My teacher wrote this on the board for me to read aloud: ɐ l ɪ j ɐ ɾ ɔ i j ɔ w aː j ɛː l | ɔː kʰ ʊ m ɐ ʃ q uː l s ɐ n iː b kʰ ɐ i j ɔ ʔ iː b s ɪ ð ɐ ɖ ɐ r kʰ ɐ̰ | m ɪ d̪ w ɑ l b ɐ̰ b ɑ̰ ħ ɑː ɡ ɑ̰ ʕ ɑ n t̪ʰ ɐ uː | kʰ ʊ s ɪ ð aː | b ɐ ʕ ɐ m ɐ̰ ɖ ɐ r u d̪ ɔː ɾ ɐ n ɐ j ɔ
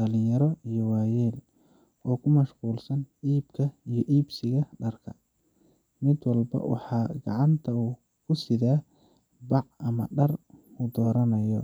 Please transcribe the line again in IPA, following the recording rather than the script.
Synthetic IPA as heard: ɐ l ɪ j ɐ ɾ ɔ i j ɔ w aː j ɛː l | ɔː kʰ ʊ m ɐ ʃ q uː l s ɐ n iː b kʰ ɐ i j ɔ ʔ iː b s ɪ ɣ ɐ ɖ ɐ r kʰ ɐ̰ | m ɪ d̪ w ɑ l b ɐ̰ w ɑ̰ ħ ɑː ɡ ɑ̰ ʕ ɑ n t̪ʰ ɐ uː | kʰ ʊ s ɪ ð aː | b ɑ ʕ ɐ m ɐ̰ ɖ ɐ r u d̪ ɔː ɾ ɐ n ɐ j ɔ